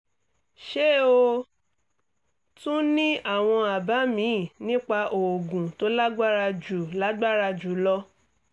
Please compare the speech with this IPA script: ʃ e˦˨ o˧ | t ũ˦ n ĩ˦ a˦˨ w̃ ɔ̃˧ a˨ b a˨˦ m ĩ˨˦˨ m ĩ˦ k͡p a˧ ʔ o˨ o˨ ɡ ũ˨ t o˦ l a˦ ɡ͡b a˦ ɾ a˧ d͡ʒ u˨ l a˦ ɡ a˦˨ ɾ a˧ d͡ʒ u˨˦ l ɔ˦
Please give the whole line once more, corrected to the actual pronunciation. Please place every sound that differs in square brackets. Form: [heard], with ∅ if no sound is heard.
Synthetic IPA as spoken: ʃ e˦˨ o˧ | t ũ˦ n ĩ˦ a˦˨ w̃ ɔ̃˧ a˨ b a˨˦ m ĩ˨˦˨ [n] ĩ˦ k͡p a˧ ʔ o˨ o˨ ɡ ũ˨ t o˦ l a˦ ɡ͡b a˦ ɾ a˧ d͡ʒ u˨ l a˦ [ɡ͡b] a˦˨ ɾ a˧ d͡ʒ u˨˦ l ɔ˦